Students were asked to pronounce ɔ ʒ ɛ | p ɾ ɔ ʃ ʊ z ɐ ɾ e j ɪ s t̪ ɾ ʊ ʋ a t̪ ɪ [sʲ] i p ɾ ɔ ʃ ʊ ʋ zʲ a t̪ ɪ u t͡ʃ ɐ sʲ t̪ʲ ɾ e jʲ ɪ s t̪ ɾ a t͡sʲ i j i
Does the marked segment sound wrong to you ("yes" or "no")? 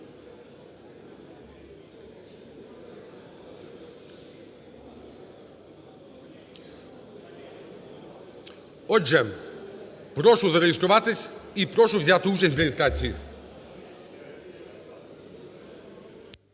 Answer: no